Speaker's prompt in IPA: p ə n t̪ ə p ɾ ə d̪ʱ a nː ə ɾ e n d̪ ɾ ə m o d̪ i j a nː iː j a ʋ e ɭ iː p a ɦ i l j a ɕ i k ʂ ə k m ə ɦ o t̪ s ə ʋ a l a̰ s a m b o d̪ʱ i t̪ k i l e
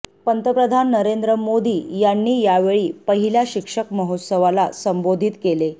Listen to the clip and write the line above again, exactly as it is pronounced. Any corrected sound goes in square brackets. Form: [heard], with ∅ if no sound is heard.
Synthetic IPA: p ə n t̪ ə p ɾ ə d̪ʱ a nː ə ɾ e n d̪ ɾ ə m o d̪ [iː] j a nː iː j a ʋ e ɭ iː p [ə] ɦ i l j a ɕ i k ʂ ə k m ə ɦ o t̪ s ə ʋ a l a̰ s [ə] m b o d̪ʱ i t̪ k [e] l e